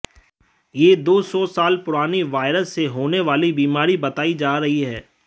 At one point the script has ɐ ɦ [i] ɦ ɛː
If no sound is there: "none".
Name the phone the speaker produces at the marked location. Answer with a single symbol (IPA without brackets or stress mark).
i